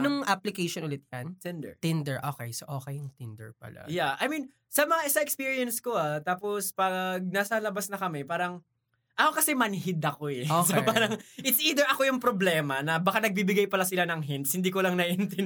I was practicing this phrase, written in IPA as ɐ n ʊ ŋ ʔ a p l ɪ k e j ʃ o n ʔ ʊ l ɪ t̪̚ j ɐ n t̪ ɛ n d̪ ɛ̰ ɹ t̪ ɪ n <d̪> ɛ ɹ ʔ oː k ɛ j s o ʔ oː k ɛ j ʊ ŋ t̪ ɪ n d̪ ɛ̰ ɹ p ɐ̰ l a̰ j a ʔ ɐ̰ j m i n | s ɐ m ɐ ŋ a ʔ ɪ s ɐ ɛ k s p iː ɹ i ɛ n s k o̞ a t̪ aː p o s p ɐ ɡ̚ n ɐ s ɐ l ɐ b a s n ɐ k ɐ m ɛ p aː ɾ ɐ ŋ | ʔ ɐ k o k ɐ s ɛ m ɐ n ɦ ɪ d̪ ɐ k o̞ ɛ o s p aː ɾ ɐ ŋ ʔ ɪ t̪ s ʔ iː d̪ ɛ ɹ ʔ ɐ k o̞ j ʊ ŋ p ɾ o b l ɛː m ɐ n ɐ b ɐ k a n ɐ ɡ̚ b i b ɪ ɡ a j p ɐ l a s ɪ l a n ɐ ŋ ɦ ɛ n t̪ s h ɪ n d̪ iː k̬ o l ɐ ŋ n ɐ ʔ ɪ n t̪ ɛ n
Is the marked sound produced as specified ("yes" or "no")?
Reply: yes